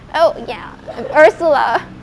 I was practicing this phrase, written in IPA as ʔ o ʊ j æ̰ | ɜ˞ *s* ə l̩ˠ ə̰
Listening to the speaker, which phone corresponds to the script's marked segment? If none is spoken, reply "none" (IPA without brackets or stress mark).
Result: s